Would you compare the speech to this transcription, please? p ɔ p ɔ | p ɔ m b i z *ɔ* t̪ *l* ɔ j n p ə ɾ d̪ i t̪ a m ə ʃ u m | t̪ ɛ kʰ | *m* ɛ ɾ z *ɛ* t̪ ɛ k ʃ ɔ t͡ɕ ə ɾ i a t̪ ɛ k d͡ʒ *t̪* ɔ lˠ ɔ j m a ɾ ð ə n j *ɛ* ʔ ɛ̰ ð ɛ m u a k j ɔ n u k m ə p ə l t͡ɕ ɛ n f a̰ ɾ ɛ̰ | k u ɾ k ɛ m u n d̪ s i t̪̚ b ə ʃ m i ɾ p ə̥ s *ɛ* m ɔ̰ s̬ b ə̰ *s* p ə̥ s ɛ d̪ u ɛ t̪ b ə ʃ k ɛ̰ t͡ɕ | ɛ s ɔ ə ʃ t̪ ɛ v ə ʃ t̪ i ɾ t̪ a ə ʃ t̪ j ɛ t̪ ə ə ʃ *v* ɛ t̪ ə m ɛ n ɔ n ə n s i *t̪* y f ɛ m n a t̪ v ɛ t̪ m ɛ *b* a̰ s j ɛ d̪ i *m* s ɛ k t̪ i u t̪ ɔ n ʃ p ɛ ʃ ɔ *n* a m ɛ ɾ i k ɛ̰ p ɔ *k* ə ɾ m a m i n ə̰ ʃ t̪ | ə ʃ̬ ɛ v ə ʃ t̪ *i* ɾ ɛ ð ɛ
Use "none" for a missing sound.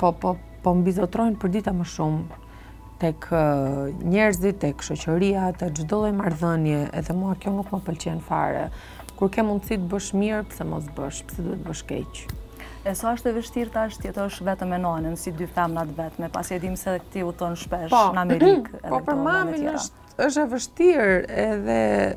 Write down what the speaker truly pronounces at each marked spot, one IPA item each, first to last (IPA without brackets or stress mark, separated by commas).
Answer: ɔ, ɾ, ɲ, i, d̪, ɛ, ɛ, ʃ, v, d̪, p, m, n, p, i